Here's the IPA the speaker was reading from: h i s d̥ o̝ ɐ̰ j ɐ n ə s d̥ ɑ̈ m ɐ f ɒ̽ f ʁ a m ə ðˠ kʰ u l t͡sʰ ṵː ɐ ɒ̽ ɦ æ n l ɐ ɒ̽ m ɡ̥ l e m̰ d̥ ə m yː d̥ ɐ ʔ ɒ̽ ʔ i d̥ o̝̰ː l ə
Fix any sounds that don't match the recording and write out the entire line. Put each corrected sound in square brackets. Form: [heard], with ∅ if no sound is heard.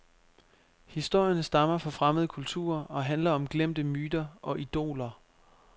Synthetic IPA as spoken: h i s d̥ o̝ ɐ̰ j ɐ n ə s d̥ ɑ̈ m ɐ f ɒ̽ f ʁ a m ə ðˠ kʰ u l t͡sʰ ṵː ɐ ɒ̽ ɦ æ n l ɐ ɒ̽ m ɡ̥ l e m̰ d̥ ə m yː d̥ ɐ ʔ ɒ̽ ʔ i d̥ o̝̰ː l [ɐ]